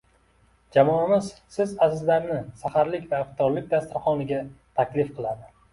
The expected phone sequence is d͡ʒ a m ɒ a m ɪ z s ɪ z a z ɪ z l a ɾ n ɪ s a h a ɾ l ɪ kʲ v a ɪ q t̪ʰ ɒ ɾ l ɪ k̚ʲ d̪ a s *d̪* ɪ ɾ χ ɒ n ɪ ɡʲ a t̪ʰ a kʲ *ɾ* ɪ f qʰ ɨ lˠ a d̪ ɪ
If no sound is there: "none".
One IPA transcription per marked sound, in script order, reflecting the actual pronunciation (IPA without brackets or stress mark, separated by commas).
t̪, l